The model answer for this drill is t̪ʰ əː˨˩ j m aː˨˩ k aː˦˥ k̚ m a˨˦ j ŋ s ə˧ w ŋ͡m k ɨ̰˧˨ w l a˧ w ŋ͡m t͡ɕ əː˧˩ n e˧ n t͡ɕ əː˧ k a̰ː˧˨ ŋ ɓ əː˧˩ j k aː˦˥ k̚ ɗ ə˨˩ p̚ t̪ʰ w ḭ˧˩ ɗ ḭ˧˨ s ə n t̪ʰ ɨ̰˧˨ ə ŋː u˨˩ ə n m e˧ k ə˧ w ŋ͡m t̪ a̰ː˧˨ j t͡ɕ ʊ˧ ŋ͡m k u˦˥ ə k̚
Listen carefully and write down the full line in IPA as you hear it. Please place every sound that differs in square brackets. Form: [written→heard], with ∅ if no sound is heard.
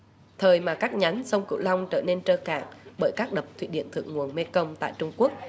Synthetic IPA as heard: t̪ʰ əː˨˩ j m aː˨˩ k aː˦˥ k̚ [m→ɲ] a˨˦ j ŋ s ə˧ w ŋ͡m k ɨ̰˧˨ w l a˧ w ŋ͡m t͡ɕ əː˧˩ n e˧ n t͡ɕ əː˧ k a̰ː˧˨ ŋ ɓ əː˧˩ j k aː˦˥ k̚ ɗ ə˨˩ p̚ t̪ʰ w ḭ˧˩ ɗ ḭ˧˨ [s→∅] ə n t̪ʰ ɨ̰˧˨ ə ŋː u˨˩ ə n m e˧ k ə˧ w ŋ͡m t̪ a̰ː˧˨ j t͡ɕ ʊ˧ ŋ͡m k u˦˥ ə k̚

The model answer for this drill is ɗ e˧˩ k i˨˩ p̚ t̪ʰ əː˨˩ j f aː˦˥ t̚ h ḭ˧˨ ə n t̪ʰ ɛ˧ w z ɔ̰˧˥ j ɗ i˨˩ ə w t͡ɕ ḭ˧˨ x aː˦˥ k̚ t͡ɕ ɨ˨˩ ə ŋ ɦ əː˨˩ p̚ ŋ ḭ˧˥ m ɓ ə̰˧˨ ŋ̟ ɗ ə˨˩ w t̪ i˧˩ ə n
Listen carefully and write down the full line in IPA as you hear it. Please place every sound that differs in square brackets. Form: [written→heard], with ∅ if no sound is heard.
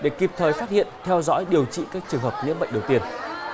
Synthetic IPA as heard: ɗ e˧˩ k i˨˩ p̚ t̪ʰ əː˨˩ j f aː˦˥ t̚ h ḭ˧˨ ə n t̪ʰ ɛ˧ w z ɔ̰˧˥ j ɗ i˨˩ ə w t͡ɕ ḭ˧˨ [x→k] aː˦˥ k̚ t͡ɕ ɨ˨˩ ə ŋ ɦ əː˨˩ p̚ [ŋ→n] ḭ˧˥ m ɓ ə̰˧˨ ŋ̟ ɗ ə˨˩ w t̪ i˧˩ ə n

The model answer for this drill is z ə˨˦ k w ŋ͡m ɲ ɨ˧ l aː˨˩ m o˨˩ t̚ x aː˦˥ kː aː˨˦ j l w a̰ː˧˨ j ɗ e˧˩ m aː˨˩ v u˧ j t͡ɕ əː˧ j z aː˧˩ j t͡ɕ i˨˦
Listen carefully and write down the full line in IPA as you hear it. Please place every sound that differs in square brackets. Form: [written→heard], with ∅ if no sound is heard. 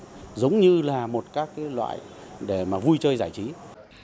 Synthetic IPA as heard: z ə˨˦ [k→∅] w ŋ͡m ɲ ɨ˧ l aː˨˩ m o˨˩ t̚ [x→k] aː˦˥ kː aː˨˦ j l w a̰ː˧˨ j ɗ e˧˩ m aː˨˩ v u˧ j t͡ɕ əː˧ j z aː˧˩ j t͡ɕ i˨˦

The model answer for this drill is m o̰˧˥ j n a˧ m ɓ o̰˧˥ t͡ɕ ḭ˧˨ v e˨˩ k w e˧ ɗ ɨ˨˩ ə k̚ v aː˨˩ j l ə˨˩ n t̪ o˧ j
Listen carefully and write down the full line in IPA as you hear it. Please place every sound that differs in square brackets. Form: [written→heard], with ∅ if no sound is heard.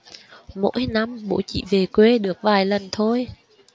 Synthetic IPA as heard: m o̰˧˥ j n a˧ m ɓ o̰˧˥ t͡ɕ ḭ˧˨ v e˨˩ k w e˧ ɗ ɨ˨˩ ə k̚ v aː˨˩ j l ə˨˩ n [t̪→t̪ʰ] o˧ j

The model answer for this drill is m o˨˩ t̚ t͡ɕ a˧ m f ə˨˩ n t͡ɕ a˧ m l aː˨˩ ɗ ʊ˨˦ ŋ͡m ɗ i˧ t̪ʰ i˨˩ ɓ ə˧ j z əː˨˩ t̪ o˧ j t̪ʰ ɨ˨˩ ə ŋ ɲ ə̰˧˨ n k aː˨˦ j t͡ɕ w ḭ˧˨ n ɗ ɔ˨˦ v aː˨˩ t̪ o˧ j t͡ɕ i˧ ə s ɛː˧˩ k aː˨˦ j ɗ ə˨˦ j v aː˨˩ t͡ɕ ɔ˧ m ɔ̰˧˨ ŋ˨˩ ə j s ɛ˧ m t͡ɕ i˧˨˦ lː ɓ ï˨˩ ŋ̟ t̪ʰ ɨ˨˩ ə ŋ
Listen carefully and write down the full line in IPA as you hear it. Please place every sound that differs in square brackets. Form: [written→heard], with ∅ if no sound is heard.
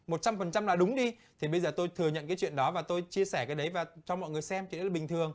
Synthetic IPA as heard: m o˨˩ t̚ t͡ɕ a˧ m f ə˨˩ n t͡ɕ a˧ m l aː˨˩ ɗ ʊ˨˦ ŋ͡m ɗ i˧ t̪ʰ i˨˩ ɓ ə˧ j z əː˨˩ t̪ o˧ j t̪ʰ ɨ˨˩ ə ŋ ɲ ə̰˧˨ n k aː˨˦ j t͡ɕ w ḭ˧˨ n ɗ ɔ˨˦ v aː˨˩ t̪ o˧ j t͡ɕ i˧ ə s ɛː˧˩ k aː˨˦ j ɗ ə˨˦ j v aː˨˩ t͡ɕ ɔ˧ m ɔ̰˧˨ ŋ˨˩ ə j s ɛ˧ m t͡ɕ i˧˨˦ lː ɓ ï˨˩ ŋ̟ t̪ʰ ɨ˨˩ ə ŋ

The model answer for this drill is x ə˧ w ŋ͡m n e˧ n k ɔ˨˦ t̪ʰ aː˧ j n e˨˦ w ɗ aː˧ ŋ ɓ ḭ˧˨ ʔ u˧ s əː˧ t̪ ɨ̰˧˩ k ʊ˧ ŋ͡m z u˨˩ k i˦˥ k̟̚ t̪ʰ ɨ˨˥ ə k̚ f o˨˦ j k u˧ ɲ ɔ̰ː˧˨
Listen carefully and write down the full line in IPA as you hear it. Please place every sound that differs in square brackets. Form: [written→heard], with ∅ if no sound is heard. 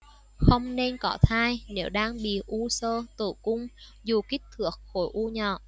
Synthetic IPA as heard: x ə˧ w ŋ͡m n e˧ n k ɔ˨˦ t̪ʰ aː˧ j n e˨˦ w ɗ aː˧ ŋ ɓ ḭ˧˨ ʔ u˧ s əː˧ t̪ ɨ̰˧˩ k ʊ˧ ŋ͡m z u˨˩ k i˦˥ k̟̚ t̪ʰ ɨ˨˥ ə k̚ [f→x] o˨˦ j [k→ʔ] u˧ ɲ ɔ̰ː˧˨

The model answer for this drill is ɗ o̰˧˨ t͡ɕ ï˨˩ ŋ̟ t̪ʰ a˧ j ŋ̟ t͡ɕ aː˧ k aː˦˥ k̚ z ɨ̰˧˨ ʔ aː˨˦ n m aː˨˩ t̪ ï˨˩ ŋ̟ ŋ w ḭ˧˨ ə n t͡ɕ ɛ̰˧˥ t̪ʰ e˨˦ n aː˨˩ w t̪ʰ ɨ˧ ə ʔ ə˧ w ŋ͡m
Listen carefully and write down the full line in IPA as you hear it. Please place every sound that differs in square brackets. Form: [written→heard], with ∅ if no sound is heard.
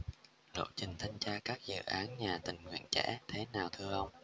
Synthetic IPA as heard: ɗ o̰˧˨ t͡ɕ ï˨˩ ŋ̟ t̪ʰ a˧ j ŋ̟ t͡ɕ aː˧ k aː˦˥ k̚ z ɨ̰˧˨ ʔ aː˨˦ n [m→ɲ] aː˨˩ t̪ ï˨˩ ŋ̟ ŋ w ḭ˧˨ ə n t͡ɕ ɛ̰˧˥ t̪ʰ e˨˦ n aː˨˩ w t̪ʰ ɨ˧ ə ʔ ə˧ w ŋ͡m

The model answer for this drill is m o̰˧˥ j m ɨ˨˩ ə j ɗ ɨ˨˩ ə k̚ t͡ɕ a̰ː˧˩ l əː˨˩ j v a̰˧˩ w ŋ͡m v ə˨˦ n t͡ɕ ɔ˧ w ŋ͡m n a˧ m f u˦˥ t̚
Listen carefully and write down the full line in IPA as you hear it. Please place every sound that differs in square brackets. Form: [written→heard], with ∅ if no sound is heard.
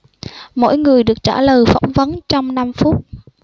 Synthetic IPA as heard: m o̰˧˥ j [m→ŋ] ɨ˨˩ ə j ɗ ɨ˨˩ ə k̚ t͡ɕ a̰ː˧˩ l əː˨˩ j [v→f] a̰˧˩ w ŋ͡m v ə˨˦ n t͡ɕ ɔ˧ w ŋ͡m n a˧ m f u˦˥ t̚

